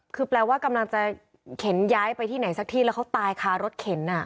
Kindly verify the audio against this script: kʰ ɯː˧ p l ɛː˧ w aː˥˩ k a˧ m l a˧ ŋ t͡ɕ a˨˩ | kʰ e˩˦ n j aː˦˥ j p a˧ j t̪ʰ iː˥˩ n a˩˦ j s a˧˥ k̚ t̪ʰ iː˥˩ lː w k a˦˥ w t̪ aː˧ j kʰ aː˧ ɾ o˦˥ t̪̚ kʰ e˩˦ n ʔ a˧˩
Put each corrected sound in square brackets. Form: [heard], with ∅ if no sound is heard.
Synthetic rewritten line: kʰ ɯː˧ p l ɛː˧ w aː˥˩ k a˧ m l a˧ ŋ t͡ɕ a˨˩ | kʰ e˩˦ n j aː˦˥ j p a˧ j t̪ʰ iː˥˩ n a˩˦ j s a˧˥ k̚ t̪ʰ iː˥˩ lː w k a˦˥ w t̪ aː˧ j kʰ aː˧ ɾ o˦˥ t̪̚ kʰ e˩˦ n ʔ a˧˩

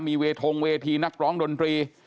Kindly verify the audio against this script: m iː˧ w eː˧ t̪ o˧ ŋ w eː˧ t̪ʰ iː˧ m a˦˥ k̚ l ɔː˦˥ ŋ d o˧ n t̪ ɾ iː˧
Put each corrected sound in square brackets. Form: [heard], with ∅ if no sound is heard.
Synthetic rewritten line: m iː˧ w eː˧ [t̪ʰ] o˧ ŋ w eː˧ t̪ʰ iː˧ [n] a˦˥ k̚ [ɾ] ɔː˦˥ ŋ d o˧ n t̪ ɾ iː˧

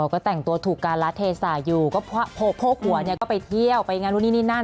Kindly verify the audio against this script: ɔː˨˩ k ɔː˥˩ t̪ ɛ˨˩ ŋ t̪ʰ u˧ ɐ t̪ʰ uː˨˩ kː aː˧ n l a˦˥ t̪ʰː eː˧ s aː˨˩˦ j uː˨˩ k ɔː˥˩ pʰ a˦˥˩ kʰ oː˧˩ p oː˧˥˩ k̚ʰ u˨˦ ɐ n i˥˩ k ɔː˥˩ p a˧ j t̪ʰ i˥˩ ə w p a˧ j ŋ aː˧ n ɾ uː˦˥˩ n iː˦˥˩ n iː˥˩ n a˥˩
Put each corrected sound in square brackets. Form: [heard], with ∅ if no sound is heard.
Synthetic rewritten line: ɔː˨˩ k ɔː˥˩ t̪ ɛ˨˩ ŋ [t̪] u˧ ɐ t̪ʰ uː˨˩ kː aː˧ n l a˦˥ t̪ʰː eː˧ s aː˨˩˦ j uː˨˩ k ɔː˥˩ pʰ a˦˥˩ [pʰ] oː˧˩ [pʰ] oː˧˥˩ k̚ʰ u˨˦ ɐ n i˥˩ k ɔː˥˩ p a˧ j t̪ʰ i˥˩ ə w p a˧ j ŋ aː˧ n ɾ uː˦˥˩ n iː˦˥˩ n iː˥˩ n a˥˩

